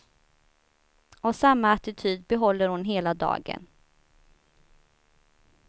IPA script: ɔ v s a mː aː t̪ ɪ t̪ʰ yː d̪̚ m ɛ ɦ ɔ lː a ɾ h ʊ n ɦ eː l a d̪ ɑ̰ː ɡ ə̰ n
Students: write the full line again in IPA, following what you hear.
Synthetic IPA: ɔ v s a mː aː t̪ ɪ t̪ʰ yː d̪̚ b ɛ ɦ ɔ lː ə ɾ h ʊ n ɦ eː l a d̪ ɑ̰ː ɡ ə̰ n

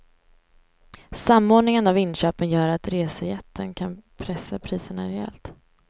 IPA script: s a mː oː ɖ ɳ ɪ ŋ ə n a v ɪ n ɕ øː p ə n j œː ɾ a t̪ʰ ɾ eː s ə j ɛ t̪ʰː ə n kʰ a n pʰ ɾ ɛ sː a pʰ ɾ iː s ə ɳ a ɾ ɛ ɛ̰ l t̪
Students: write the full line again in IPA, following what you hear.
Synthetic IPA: s a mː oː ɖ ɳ ɪ ŋ ə n a v ɪ n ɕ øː p ə n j œː ɾ a t̪ ɾ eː s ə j ɛ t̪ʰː ə n kʰ a n pʰ ɾ ɛ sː a pʰ ɾ iː s ə ɳ a ɾ ɛ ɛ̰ l t̪

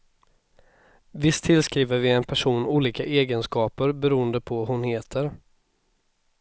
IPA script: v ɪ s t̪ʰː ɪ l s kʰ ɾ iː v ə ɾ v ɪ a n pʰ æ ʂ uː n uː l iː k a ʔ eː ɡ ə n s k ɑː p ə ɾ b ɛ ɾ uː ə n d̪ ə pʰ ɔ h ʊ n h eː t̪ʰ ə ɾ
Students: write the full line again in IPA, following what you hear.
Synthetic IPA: v ɪ s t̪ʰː ɪ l s k ɾ iː v ə ɾ v ɪ ɛ n pʰ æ ʂ uː n uː l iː k a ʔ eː ɡ ə n s k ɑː p ə ɾ b ɛ ɾ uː ə n d̪ ə pʰ ɔ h ʊ n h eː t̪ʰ ə ɾ

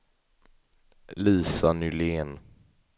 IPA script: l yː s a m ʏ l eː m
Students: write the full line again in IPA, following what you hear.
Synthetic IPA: l iː s a n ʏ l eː n

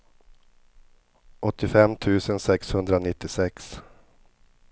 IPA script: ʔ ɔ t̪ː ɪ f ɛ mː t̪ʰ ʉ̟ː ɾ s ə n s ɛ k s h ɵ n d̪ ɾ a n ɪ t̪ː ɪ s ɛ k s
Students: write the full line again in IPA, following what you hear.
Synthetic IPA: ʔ ɔ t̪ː ɪ f ɛ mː t̪ʰ ʉ̟ː s ə n s ɛ k s h ɵ n d̪ ɾ a n ɪ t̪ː ɪ s ɛ k s

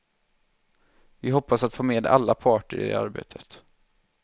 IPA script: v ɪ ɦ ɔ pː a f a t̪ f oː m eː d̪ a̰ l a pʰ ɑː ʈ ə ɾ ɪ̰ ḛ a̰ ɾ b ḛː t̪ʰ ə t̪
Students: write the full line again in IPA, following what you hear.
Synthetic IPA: v ɪ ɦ ɔ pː a s a t̪ f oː m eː d̪ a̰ lː a pʰ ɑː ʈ ə ɾ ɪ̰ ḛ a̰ ɾ b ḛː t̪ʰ ə t̪

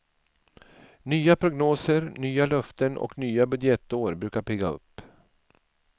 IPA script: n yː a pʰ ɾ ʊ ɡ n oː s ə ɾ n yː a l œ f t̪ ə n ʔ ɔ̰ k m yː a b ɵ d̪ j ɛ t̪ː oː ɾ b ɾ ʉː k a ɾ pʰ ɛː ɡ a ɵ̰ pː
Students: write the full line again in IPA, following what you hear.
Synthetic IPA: n yː a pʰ ɾ ʊ ɡ n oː s ə ɾ n yː a l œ f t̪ ə n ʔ ɔ̰ k n yː a b ɵ d̪ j ɛ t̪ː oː ɾ b ɾ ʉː k a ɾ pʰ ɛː ɡ a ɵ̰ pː

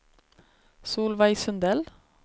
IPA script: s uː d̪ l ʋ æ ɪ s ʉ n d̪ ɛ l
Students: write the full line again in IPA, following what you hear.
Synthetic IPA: s uː l ʋ æ ɪ s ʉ n d̪ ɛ l

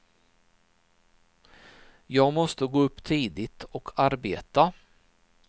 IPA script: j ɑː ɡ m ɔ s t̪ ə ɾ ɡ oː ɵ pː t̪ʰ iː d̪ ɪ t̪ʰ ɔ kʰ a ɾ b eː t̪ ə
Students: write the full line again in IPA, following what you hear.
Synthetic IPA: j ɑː ɡ m ɔ s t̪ ə ɡ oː ɵ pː t̪ʰ iː d̪ ɪ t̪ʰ ɔ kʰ a ɾ b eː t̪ a

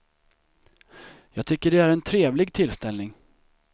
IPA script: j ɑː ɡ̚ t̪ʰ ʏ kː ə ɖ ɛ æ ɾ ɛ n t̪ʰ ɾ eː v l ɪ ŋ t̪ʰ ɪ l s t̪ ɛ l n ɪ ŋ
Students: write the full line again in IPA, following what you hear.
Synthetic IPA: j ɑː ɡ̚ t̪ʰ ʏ kː ə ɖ ɛ æ ɾ ɛ n t̪ʰ ɾ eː v l ɪ ɡ t̪ʰ ɪ l s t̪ ɛ l n ɪ ŋ

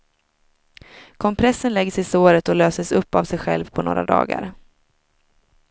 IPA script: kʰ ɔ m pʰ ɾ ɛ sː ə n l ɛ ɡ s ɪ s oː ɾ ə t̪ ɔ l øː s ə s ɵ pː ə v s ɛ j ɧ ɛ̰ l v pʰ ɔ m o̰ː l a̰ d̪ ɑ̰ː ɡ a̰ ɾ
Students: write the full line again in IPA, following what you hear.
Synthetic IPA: kʰ ɔ m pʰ ɾ ɛ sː ə n l ɛ ɡ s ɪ s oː ɾ ə t̪ ɔ l øː s ə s ɵ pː a v s ɛ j ɧ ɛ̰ l v pʰ ɔ n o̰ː ɾ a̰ d̪ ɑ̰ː ɡ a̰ ɾ

